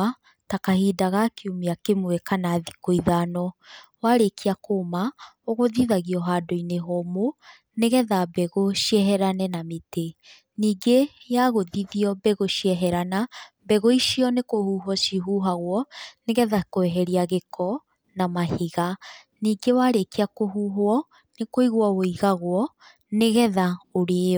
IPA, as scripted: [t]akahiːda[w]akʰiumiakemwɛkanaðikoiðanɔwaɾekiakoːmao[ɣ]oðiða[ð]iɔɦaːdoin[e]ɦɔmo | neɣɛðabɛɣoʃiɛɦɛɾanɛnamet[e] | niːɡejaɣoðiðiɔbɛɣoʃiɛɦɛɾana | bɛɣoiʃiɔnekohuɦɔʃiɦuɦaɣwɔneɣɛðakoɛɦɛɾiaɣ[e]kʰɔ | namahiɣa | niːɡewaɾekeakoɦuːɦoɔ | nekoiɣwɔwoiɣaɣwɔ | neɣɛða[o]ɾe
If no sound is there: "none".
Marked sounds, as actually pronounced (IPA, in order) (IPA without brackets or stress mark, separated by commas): t, ɣ, ɣ, ɣ, e, e, e, o